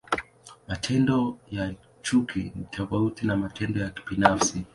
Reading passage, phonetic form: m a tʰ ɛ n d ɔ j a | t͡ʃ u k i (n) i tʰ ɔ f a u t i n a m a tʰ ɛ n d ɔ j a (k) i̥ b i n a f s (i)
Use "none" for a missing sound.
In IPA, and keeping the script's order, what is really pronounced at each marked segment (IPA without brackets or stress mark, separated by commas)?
n, k, i